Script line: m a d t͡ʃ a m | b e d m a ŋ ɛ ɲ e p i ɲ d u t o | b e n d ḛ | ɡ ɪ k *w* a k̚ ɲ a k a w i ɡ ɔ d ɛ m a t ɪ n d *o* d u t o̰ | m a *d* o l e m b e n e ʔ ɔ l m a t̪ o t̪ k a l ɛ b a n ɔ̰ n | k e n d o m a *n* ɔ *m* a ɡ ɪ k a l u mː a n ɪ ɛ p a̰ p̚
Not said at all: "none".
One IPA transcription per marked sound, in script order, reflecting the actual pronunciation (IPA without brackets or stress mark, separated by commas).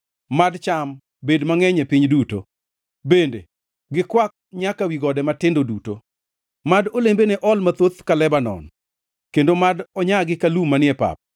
w, o, d, d, ɲ